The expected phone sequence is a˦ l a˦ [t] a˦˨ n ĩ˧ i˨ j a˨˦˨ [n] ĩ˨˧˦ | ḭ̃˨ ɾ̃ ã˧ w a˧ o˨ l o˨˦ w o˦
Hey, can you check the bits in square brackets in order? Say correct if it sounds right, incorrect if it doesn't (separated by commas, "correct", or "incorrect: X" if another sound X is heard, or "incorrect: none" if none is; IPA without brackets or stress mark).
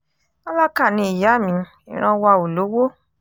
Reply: incorrect: k, incorrect: m